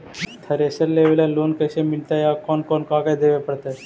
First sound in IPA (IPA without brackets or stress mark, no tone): t̪ʰ